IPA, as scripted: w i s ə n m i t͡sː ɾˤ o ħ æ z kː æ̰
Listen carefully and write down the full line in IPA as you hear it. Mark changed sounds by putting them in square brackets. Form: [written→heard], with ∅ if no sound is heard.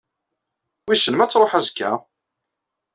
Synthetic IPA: w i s ə n m [i→æ] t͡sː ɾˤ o ħ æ z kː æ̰